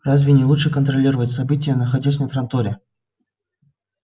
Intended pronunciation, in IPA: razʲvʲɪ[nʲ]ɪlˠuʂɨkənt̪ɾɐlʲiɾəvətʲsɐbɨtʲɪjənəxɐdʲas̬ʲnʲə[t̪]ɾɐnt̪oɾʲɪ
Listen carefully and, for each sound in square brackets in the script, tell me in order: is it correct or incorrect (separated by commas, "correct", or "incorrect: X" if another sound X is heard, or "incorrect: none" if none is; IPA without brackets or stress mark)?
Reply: correct, correct